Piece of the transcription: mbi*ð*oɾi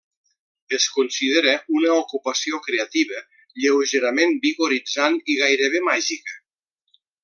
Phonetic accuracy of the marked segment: incorrect: ɣ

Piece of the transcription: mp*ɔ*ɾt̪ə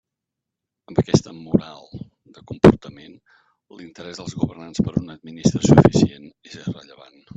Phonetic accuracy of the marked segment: incorrect: u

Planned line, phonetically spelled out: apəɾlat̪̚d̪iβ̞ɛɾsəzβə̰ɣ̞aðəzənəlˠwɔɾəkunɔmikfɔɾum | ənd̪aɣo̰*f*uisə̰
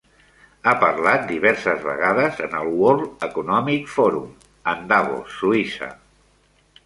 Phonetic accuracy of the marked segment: incorrect: s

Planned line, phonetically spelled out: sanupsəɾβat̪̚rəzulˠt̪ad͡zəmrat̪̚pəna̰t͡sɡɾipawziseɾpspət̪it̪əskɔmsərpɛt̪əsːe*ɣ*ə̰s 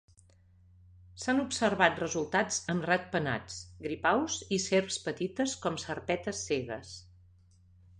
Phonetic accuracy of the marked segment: correct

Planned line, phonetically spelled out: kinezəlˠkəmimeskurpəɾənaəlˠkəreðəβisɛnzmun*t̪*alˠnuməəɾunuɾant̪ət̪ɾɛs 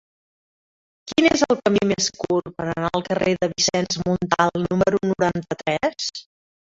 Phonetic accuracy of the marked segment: correct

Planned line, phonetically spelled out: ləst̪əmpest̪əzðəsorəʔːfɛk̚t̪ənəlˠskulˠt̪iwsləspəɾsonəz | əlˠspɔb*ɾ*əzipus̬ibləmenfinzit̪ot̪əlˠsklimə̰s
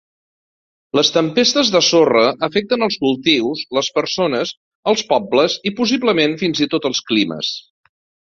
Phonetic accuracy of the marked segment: incorrect: l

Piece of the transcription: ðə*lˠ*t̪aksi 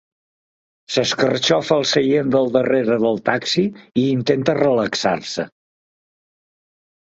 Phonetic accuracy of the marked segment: correct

